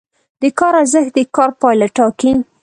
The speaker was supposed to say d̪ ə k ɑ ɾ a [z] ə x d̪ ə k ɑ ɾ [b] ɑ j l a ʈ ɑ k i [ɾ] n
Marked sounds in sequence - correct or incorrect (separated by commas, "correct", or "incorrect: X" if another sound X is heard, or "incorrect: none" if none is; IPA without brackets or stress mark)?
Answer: correct, incorrect: p, incorrect: none